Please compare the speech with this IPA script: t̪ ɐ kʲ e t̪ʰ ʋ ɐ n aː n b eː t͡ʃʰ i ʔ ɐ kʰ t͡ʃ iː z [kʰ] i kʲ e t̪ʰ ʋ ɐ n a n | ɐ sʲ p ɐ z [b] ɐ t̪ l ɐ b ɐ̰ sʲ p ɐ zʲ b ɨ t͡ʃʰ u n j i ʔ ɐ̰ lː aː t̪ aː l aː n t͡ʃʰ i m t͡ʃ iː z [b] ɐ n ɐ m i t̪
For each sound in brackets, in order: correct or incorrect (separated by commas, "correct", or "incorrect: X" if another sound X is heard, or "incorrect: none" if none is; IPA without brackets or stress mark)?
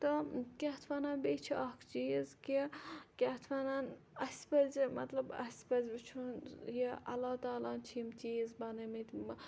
incorrect: k, incorrect: m, correct